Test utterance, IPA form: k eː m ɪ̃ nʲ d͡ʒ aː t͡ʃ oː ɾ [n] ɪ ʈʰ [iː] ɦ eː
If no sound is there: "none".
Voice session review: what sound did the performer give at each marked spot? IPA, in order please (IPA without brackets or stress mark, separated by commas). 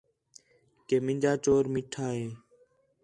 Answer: m, aː